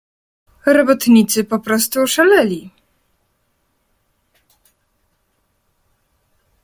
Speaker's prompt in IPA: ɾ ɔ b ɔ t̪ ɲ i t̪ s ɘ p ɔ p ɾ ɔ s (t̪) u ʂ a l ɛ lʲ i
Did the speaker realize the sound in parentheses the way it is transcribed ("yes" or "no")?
yes